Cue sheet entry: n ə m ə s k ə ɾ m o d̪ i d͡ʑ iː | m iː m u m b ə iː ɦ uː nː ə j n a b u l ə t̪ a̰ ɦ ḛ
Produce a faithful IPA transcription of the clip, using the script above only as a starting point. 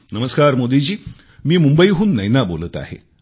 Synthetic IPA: n ə m ə s k a ɾ m o d̪ i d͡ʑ iː | m iː m u m b ə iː ɦ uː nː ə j n a b o l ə t̪ a̰ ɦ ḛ